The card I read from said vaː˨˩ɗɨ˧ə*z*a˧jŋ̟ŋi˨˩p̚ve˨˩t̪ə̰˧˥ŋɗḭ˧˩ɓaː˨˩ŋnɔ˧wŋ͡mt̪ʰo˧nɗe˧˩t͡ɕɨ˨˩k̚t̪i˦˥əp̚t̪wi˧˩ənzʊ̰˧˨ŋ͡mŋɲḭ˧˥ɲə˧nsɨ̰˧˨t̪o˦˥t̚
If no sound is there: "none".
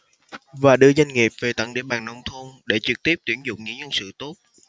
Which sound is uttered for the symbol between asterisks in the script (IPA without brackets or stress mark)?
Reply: z